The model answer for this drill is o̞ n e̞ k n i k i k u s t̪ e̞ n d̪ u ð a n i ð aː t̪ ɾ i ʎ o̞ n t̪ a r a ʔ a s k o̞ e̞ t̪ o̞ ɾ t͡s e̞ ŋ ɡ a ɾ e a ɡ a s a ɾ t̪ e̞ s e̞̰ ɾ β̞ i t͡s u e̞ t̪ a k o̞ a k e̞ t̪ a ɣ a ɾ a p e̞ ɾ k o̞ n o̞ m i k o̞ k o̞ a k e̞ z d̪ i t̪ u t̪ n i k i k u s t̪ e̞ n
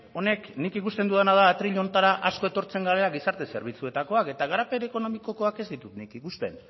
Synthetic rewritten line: o̞ n e̞ k n i k i k u s t̪ e̞ n d̪ u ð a n a ð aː t̪ ɾ i ʎ o̞ n t̪ a ɾ a ʔ a s k o̞ e̞ t̪ o̞ ɾ t͡s e̞ ŋ ɡ a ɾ e a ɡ i s a ɾ t̪ e̞ s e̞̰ ɾ β̞ i t͡s u e̞ t̪ a k o̞ a k e̞ t̪ a ɣ a ɾ a p e̞ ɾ k o̞ n o̞ m i k o̞ k o̞ a k e̞ z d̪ i t̪ u t̪ n i k i k u s t̪ e̞ n